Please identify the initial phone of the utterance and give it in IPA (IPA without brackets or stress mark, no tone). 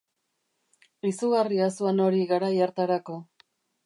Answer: i